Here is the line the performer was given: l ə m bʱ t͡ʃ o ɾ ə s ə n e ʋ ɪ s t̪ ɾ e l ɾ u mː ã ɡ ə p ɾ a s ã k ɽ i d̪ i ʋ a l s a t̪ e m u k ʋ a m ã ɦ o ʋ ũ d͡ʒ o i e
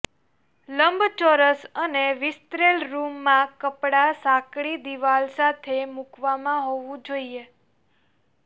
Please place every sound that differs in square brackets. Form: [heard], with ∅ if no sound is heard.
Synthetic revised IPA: l ə m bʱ t͡ʃ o ɾ ə s ə n e ʋ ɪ s t̪ ɾ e l ɾ u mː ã [k] ə p [ɽ] a s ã k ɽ i d̪ i ʋ a l s a [t̪ʰ] e m u k ʋ a m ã ɦ o ʋ ũ d͡ʒ o i e

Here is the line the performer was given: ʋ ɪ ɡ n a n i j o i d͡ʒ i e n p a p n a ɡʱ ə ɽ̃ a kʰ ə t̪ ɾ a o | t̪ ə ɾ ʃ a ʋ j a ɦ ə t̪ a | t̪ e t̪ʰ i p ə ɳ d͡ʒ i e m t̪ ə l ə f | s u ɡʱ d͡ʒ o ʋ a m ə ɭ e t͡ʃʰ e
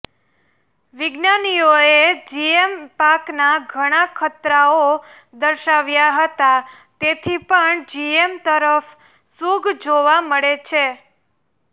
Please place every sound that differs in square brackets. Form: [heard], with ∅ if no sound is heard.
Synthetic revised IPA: ʋ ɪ ɡ n a n i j o [e] d͡ʒ i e [m] p a [k] n a ɡʱ ə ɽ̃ a kʰ ə t̪ ɾ a o | [d̪] ə ɾ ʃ a ʋ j a ɦ ə t̪ a | t̪ e t̪ʰ i p ə ɳ d͡ʒ i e m t̪ ə [ɾ] ə f | s u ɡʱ d͡ʒ o ʋ a m ə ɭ e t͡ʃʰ e

